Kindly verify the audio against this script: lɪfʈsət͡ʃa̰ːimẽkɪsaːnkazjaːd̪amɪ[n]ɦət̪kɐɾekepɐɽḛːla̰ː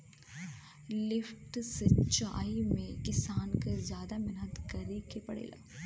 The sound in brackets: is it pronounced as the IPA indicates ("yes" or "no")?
yes